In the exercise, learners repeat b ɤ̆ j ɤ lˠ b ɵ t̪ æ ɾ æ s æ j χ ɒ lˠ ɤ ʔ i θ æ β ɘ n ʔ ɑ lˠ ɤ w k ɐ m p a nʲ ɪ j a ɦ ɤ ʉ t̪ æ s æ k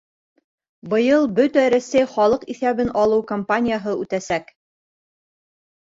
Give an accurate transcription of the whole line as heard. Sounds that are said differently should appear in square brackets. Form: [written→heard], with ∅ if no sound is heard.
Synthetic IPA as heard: b ɤ̆ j ɤ lˠ b ɵ t̪ æ ɾ æ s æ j χ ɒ lˠ ɤ [ʔ→q] i θ æ β ɘ n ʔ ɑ lˠ ɤ w k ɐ m p a nʲ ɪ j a ɦ ɤ ʉ t̪ æ s æ k